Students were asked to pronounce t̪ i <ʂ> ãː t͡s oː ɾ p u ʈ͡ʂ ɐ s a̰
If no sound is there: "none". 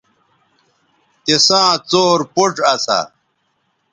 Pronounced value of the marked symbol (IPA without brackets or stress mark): s